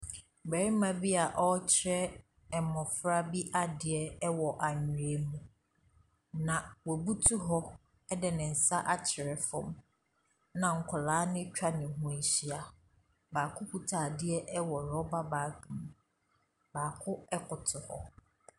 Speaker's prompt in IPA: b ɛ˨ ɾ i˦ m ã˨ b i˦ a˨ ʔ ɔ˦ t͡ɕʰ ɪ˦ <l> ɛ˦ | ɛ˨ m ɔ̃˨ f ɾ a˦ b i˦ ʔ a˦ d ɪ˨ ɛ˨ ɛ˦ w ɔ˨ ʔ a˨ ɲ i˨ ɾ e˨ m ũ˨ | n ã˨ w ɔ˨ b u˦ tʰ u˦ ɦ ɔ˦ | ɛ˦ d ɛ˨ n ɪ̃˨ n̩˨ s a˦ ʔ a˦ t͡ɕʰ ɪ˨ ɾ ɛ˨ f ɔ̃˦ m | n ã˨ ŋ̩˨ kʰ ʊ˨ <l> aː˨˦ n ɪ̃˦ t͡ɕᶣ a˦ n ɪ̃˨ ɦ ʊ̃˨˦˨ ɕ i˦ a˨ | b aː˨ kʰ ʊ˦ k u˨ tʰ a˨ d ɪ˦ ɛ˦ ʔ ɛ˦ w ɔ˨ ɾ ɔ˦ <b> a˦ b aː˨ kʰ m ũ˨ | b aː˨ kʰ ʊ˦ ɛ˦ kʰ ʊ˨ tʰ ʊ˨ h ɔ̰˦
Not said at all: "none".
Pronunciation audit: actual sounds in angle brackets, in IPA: ɾ, l, b

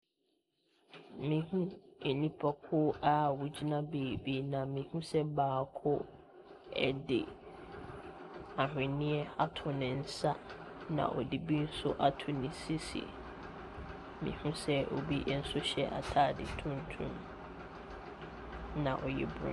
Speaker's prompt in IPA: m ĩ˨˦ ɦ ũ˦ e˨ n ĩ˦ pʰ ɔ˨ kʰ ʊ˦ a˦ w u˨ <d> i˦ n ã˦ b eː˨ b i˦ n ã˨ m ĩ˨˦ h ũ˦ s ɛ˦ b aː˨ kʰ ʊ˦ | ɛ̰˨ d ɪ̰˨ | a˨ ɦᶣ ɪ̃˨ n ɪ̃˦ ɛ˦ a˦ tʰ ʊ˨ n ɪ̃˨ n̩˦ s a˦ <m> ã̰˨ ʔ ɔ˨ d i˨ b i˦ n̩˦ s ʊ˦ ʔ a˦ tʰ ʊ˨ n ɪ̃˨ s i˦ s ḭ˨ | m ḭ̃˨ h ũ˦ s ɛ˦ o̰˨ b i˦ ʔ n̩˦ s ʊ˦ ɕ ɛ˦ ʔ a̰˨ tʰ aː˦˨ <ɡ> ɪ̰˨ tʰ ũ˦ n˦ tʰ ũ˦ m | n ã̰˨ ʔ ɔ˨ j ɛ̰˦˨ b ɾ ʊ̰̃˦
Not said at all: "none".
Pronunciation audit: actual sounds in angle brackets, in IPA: d͡ʑ, n, d

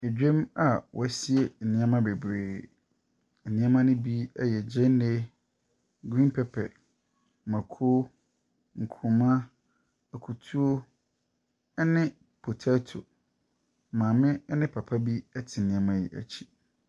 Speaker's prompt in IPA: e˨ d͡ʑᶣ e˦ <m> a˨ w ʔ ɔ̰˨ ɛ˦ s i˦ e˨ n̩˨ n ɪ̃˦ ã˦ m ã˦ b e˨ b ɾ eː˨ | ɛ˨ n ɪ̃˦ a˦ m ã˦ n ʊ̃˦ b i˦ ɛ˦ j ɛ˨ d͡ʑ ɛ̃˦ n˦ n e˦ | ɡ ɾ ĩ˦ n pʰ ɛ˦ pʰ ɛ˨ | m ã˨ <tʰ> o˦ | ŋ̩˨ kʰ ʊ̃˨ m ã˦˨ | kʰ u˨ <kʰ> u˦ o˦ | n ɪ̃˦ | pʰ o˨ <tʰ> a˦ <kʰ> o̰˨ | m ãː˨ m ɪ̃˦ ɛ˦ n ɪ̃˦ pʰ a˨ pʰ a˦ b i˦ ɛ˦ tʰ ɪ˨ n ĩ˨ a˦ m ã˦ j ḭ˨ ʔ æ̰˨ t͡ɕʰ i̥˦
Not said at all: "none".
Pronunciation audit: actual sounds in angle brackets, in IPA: m, kʰ, tʰ, tʰ, tʰ

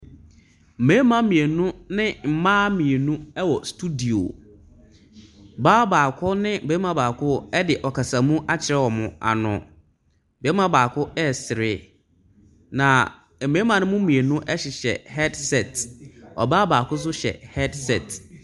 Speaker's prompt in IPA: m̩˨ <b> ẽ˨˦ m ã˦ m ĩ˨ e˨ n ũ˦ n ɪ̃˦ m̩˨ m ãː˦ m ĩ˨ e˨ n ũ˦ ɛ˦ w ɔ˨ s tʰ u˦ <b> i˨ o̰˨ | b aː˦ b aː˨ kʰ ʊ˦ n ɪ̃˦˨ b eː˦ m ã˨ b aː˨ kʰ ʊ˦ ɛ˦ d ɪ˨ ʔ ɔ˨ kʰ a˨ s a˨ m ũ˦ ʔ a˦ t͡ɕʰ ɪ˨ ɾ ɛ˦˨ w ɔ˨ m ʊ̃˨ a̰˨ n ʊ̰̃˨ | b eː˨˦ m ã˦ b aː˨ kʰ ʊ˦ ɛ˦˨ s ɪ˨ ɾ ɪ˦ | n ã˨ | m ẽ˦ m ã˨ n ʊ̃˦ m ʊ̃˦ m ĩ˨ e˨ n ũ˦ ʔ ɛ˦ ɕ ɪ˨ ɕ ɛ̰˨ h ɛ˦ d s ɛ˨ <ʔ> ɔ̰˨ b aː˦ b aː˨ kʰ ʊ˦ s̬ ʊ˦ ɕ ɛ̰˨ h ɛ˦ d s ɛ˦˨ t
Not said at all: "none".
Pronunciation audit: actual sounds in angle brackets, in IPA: m, d, t

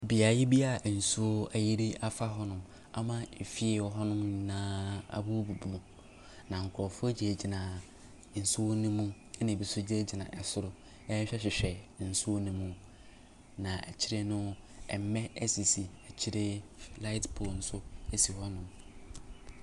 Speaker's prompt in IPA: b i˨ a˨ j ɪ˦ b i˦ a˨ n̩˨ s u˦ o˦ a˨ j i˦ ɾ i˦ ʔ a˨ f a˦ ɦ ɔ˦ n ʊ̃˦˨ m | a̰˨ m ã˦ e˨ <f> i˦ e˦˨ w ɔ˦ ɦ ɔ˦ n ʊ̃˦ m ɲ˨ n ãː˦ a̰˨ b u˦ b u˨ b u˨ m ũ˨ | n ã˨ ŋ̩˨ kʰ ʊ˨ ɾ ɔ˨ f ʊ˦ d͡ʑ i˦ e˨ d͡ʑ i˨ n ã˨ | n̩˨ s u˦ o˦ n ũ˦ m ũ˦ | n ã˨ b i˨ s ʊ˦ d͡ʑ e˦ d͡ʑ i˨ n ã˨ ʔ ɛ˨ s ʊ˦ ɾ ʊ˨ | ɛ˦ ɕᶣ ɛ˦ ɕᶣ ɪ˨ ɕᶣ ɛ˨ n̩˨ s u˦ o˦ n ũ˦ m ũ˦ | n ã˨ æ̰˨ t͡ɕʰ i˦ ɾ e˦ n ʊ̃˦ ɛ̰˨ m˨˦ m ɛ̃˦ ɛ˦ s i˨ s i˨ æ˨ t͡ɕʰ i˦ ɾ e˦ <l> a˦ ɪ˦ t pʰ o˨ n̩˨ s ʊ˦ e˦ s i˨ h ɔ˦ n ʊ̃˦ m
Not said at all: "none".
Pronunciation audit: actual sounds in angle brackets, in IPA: f, l

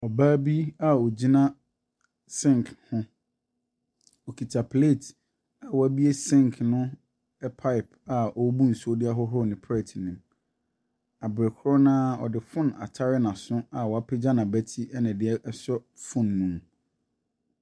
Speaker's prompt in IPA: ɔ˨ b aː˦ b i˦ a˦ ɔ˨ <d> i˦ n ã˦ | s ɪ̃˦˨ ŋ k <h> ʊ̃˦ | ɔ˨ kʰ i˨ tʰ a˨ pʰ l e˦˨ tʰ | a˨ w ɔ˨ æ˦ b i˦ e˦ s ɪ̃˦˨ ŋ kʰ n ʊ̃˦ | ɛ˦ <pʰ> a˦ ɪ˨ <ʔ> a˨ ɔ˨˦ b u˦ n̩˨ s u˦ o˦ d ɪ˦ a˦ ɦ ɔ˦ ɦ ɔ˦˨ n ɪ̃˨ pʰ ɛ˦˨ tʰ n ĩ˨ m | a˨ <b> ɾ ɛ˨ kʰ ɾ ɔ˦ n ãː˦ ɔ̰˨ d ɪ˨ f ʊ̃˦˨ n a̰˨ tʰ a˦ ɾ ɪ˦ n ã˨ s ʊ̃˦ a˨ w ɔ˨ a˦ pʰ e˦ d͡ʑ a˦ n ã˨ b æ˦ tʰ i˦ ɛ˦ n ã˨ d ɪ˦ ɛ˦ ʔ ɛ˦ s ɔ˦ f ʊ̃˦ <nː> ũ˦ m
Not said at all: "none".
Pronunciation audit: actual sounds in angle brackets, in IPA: d͡ʑ, h, pʰ, p, b, nː

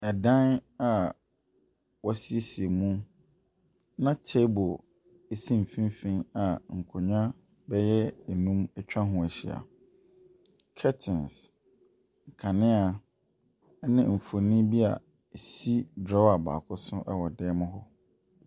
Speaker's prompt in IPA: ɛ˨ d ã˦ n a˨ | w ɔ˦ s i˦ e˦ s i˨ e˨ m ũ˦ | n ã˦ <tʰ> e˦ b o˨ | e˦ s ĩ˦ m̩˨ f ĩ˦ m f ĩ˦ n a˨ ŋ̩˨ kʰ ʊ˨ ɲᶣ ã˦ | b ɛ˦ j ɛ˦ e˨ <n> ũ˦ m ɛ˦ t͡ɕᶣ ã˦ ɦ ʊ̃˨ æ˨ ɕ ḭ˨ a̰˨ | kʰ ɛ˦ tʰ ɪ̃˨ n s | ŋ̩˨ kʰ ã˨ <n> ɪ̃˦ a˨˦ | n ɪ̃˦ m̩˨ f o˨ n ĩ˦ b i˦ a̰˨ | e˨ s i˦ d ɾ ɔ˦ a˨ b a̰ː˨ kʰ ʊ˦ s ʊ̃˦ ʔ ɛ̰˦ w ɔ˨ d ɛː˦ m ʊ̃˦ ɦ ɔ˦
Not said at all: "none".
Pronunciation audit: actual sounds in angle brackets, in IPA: tʰ, n, n

